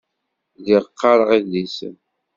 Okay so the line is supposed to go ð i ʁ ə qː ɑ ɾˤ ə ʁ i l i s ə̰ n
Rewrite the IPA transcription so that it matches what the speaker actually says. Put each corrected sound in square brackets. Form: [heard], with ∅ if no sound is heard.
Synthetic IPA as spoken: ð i ʁ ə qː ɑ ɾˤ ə ʁ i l i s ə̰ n